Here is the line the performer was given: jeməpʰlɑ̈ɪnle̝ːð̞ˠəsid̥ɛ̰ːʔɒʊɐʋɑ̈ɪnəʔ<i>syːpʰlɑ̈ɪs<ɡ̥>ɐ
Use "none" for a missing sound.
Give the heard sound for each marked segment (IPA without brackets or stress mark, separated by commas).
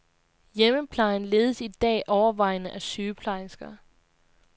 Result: æ, ɡ̥